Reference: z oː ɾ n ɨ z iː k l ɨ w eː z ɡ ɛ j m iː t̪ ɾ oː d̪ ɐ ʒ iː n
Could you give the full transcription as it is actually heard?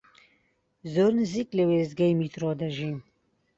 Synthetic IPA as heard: z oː ɾ n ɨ z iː k l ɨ w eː z ɡ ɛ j m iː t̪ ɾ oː d̪ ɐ ʒ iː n